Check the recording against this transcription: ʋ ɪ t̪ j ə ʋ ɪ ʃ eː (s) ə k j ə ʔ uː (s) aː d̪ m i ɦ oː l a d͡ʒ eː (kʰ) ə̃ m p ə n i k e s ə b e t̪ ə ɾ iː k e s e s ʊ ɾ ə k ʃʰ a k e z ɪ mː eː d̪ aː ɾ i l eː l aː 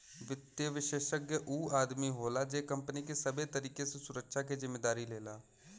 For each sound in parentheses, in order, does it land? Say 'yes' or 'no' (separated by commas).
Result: no, no, no